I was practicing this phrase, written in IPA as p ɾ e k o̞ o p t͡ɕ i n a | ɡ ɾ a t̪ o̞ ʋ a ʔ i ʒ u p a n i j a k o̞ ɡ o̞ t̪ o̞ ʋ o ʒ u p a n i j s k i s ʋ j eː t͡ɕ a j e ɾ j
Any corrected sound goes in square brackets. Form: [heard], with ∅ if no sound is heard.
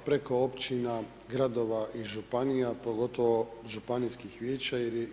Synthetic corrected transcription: p ɾ e k o̞ o p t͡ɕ i n a | ɡ ɾ a [d̪] o̞ ʋ a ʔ i ʒ u p a n i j a [p] o̞ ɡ o̞ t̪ o̞ ʋ o ʒ u p a n i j s k i [x] ʋ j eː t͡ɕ a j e ɾ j